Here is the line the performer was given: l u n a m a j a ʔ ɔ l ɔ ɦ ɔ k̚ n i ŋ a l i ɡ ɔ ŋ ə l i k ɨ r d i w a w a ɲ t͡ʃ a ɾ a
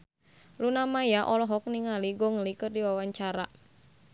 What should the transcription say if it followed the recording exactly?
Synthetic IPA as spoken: l u n a m a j a ʔ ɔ l ɔ ɦ ɔ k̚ n i ŋ a l i ɡ ɔ ŋ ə l i k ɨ r d i w a w a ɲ t͡ʃ a ɾ a